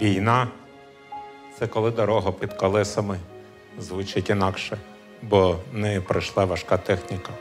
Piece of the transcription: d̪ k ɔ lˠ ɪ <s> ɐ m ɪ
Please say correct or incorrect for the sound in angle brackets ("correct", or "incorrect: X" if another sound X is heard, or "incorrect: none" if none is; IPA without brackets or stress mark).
correct